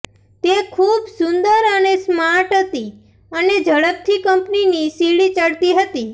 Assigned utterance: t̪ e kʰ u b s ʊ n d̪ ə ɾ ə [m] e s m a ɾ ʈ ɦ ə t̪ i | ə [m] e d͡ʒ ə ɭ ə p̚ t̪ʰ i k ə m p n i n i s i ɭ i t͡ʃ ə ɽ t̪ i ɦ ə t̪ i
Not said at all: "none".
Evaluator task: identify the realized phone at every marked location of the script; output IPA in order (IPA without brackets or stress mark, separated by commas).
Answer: n, n